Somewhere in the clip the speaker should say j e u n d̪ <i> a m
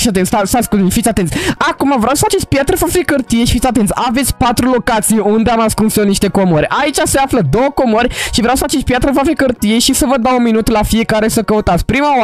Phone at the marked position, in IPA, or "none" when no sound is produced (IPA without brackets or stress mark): e